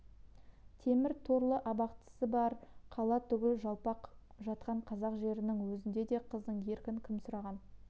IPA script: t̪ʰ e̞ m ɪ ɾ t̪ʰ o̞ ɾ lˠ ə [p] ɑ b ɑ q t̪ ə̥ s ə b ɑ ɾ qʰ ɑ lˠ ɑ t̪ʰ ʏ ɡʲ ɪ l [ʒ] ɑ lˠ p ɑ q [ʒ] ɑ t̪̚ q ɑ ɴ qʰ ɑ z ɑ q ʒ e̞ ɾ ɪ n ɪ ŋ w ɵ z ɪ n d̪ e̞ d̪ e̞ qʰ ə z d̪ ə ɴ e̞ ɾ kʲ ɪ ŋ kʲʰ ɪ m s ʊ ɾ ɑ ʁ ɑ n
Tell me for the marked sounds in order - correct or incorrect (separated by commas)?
incorrect, correct, correct